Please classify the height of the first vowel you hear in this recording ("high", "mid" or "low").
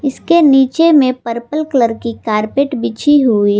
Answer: high